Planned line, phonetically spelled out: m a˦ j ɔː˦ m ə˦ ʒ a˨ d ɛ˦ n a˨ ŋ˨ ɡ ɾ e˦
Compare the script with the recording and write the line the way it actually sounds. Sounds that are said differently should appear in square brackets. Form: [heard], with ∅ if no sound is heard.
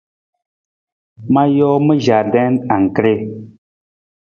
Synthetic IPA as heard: m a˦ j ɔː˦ m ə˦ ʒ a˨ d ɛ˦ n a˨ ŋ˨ [k] ɾ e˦

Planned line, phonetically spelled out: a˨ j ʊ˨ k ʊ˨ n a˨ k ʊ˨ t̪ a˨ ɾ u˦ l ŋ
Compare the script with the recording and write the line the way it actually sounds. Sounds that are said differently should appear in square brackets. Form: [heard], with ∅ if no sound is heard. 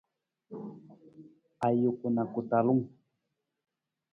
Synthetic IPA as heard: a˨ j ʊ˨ k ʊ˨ n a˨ k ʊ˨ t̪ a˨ [l] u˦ [∅] ŋ

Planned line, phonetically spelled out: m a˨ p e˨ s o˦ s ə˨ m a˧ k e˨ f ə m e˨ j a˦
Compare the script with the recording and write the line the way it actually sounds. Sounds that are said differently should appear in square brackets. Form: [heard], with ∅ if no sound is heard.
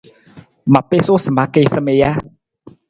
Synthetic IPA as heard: m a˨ p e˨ s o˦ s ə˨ m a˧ k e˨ [s] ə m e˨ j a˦

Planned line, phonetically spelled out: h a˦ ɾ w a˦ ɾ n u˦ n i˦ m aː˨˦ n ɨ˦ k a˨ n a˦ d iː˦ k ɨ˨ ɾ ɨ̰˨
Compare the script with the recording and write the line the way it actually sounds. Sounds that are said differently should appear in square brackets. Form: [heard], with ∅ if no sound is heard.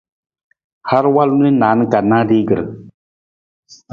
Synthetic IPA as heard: h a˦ ɾ w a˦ [l] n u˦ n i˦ [n] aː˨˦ n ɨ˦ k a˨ n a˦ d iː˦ [ɡ] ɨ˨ ɾ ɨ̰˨

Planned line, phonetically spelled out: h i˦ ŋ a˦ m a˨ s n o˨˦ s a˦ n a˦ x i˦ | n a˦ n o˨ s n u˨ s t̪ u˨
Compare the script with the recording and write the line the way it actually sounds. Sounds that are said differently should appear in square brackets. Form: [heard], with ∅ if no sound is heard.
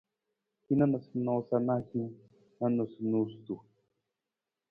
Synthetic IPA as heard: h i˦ [n] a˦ [n] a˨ s n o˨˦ s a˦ n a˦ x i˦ | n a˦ n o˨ s n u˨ s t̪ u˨

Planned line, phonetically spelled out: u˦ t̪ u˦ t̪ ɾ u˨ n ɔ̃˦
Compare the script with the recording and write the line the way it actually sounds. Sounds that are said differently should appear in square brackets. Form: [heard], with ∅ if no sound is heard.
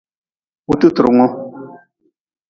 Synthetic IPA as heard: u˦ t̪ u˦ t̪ ɾ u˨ [ŋ] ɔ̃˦

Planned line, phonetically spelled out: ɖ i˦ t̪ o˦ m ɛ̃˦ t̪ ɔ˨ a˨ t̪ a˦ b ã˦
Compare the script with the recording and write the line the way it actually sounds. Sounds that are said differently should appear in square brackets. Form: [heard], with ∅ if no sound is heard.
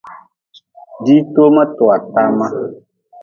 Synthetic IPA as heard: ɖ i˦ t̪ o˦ m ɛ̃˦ t̪ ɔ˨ a˨ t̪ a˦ [m] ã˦

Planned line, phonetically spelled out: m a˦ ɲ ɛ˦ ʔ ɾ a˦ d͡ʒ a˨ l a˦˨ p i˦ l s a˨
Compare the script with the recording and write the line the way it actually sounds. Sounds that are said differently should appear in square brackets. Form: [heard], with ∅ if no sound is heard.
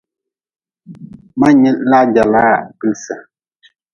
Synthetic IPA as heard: m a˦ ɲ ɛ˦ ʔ [l] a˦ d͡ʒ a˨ l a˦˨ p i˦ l s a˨

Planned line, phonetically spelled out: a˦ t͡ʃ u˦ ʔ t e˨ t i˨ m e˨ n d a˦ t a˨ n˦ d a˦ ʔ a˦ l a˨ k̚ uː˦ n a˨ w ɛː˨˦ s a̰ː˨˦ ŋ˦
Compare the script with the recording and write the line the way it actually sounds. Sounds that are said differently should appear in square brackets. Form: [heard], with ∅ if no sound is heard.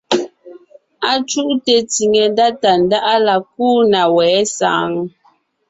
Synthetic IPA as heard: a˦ t͡ʃ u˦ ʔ t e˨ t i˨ [ŋ] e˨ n d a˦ t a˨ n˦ d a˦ ʔ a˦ l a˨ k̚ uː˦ n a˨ w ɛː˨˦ s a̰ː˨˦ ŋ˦

